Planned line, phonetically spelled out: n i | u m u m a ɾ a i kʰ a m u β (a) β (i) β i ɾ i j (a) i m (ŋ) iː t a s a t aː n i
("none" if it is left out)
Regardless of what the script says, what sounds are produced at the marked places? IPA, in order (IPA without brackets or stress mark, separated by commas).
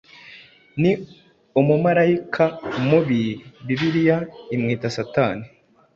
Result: i, i, a, ŋ